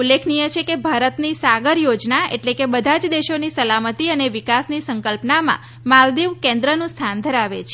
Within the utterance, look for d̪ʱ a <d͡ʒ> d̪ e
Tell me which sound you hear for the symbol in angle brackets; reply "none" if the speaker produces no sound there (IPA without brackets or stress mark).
d͡ʒ